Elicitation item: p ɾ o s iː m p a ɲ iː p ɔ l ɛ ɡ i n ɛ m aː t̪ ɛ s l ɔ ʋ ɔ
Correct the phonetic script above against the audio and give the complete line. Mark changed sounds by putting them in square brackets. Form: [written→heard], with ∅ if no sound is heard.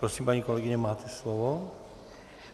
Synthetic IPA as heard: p ɾ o s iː m p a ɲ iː [p→k] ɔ l ɛ ɡ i [n→ɲ] ɛ m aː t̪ ɛ s l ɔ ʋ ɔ